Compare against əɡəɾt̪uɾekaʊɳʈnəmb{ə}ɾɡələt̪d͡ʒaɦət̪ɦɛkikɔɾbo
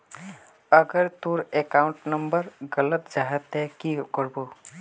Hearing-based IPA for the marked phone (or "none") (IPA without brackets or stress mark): ə